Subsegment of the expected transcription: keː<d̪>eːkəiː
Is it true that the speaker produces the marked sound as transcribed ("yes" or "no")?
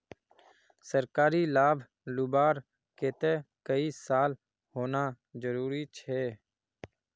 no